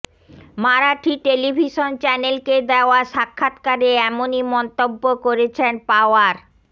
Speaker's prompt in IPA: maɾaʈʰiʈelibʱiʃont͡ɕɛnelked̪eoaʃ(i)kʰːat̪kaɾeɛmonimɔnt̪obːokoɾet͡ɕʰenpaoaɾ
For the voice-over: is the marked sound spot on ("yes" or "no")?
no